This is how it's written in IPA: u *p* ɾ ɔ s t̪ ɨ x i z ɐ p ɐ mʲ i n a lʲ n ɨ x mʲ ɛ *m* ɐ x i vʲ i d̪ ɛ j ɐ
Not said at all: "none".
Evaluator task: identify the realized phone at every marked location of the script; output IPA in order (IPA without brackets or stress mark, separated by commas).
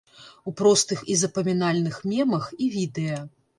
p, m